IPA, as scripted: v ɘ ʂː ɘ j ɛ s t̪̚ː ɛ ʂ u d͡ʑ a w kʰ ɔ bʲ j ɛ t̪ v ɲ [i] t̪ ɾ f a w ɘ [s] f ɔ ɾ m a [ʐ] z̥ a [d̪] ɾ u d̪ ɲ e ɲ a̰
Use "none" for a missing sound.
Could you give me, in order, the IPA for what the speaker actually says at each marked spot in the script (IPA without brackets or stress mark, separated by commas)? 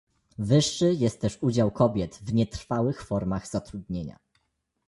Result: ɛ, x, ɣ, t̪